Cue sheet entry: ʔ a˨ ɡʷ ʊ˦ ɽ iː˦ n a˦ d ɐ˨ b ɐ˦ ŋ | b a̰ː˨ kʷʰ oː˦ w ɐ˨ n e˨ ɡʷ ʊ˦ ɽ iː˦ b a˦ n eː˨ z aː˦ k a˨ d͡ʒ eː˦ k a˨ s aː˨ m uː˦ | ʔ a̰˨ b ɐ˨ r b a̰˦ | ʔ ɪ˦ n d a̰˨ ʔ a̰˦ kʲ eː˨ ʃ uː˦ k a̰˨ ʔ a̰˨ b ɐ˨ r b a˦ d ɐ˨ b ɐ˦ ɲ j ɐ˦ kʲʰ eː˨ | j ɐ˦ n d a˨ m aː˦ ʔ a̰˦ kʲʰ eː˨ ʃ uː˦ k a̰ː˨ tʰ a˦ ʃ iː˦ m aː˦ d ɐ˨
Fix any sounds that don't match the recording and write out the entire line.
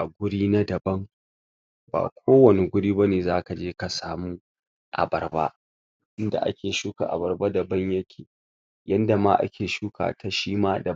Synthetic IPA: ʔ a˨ ɡʷ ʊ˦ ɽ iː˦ n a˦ d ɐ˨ b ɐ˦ ŋ | b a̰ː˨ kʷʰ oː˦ w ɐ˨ n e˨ ɡʷ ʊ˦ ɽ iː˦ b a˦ n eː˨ z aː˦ k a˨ d͡ʒ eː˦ k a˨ s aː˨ m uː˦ | ʔ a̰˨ b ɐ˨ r b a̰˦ | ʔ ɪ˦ n d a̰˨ ʔ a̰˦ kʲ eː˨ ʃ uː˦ k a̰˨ ʔ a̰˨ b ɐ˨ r b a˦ d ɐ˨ b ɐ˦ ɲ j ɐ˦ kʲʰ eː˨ | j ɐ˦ n d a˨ m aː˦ ʔ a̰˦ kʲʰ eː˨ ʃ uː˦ k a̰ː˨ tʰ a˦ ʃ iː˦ m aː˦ d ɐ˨